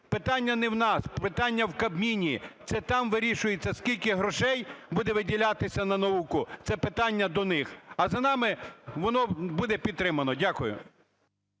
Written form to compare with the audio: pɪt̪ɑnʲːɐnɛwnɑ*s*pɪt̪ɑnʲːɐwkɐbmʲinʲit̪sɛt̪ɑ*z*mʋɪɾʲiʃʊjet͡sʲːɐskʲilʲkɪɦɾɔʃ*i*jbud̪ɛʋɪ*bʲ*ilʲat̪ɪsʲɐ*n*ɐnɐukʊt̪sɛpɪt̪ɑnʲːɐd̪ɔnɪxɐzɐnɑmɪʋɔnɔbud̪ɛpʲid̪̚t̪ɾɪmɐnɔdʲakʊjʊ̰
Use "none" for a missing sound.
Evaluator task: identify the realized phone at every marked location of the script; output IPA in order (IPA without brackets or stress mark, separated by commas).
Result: s, none, ɛ, dʲ, n